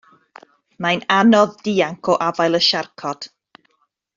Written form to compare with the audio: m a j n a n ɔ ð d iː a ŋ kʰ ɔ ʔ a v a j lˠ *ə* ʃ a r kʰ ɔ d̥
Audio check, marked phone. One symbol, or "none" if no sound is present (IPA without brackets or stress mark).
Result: ə